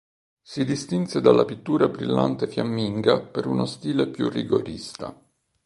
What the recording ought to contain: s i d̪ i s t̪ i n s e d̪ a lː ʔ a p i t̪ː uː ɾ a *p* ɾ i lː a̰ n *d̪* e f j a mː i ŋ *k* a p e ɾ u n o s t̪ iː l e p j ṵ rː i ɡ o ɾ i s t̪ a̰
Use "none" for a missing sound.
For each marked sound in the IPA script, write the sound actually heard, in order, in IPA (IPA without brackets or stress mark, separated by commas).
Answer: b, t̪, ɡ